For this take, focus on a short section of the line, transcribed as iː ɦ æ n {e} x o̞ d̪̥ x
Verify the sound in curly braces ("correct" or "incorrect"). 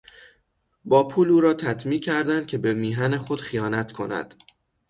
correct